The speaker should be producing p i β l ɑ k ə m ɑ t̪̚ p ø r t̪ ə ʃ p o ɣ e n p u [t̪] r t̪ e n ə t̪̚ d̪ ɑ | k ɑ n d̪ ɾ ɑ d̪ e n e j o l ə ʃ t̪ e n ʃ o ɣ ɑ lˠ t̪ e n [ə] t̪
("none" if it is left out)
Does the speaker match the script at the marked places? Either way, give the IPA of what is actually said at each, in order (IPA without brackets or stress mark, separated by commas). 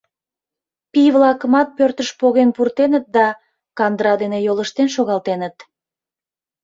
none, ə